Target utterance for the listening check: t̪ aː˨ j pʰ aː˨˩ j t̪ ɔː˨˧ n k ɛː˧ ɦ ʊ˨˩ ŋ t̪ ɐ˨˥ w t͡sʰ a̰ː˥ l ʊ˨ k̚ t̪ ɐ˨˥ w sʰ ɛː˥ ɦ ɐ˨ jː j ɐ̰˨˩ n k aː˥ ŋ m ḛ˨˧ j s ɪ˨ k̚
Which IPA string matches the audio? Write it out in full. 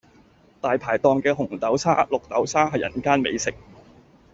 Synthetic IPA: t̪ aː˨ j pʰ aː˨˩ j t̪ ɔː˨˧ ŋ k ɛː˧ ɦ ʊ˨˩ ŋ t̪ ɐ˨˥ w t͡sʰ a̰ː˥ l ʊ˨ k̚ t̪ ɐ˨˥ w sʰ aː˥ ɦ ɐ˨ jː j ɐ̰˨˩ n k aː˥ n m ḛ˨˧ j s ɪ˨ k̚